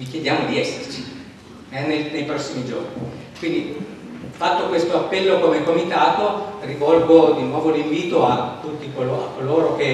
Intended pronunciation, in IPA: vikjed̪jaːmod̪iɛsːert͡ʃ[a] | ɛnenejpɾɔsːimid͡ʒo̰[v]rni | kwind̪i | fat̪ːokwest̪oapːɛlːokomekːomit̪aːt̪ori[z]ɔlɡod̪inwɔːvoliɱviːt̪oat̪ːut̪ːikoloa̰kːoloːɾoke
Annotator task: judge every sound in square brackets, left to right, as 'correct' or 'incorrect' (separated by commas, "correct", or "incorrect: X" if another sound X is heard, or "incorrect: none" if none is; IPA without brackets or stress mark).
incorrect: i, incorrect: none, incorrect: v